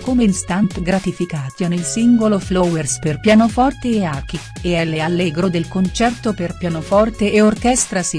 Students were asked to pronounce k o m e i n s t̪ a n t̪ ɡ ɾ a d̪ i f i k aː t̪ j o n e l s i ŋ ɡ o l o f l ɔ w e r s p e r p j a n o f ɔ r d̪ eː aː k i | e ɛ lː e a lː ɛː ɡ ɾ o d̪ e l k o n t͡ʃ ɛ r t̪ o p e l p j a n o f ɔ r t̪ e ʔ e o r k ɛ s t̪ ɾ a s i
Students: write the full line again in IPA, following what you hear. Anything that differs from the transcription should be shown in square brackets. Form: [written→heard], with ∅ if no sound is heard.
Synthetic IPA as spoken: k o m e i n s t̪ a n t̪ ɡ ɾ a [d̪→t̪] i f i k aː t̪ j o n e l s i ŋ ɡ o l o f l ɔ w e r s p e r p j a n o f ɔ r [d̪→t̪] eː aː k i | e ɛ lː e a lː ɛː ɡ ɾ o d̪ e l k o n t͡ʃ ɛ r t̪ o p e [l→r] p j a n o f ɔ r t̪ e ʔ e o r k ɛ s t̪ ɾ a s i